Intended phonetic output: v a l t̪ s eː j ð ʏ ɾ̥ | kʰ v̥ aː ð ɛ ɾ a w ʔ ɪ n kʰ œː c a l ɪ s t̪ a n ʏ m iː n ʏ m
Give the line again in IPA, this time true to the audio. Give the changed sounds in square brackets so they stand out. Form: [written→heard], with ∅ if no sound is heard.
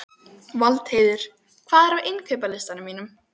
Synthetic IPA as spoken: v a l t̪ [s→h] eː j ð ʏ ɾ̥ | kʰ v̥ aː ð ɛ ɾ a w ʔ ɪ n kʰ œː [c→p] a l ɪ s t̪ a n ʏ m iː n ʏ m